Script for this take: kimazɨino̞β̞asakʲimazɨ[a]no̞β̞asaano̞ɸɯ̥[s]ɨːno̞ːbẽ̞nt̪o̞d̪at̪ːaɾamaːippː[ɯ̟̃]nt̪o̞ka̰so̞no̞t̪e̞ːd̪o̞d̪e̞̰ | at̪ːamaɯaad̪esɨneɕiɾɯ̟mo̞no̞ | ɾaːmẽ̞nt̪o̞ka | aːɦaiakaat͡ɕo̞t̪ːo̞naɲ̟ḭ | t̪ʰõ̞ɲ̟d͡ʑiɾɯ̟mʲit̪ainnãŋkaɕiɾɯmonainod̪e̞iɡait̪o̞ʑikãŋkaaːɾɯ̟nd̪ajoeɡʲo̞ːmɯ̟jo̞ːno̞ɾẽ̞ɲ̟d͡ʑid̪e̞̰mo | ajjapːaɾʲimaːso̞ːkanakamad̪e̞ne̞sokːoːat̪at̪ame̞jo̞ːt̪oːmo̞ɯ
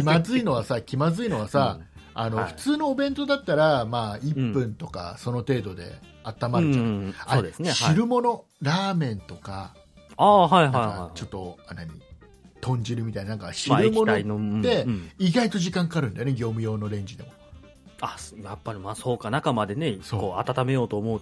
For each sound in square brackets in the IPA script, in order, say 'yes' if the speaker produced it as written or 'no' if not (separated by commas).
no, no, yes